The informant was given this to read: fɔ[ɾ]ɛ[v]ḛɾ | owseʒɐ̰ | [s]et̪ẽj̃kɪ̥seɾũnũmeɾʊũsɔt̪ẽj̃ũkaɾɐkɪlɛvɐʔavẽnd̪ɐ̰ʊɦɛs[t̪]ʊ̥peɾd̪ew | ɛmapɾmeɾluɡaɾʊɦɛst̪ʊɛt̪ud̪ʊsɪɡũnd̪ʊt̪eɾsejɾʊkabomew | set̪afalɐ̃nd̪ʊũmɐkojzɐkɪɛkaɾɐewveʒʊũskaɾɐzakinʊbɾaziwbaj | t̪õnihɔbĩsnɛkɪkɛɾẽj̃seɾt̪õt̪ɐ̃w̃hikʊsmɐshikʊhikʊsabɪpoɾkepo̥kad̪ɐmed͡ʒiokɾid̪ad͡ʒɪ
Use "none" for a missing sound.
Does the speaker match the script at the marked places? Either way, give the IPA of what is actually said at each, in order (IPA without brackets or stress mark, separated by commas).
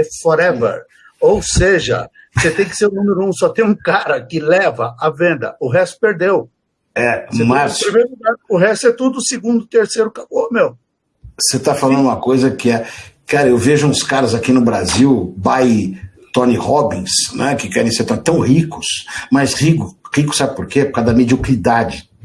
ɾ, v, s, t̪